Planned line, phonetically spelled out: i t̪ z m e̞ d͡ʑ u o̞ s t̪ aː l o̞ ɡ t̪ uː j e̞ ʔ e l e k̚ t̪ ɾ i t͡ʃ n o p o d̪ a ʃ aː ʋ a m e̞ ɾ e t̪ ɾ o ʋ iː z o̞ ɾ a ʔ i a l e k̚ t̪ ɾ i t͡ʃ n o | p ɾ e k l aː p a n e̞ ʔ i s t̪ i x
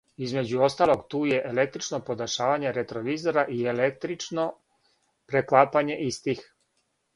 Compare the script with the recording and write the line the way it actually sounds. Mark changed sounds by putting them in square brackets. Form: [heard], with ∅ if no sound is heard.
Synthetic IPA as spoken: i [∅] z m e̞ d͡ʑ u o̞ s t̪ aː l o̞ ɡ t̪ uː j e̞ ʔ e l e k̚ t̪ ɾ i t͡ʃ n o p o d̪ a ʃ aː ʋ a [ɲ] e̞ ɾ e t̪ ɾ o ʋ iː z o̞ ɾ a ʔ i [e] l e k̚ t̪ ɾ i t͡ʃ n o | p ɾ e k l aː p a [ɲ] e̞ ʔ i s t̪ i x